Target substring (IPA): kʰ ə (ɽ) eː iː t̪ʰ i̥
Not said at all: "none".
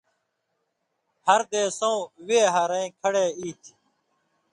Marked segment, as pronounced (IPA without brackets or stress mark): ɽ